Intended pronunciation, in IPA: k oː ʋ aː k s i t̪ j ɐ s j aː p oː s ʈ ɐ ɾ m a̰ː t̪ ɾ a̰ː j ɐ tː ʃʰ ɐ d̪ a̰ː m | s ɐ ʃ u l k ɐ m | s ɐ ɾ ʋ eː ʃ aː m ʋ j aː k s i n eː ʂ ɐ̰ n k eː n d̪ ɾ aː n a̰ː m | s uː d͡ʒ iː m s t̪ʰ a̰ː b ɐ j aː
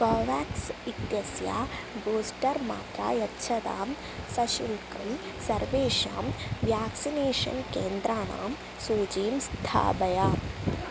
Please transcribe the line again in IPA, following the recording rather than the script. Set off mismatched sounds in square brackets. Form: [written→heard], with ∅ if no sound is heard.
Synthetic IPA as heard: k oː ʋ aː k s i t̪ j ɐ s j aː [p→b] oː s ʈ ɐ ɾ m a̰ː t̪ ɾ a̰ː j ɐ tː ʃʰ ɐ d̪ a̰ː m | s ɐ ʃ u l k ɐ m | s ɐ ɾ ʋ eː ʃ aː m ʋ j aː k s i n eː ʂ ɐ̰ n k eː n d̪ ɾ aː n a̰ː m | s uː d͡ʒ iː m s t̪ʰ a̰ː b ɐ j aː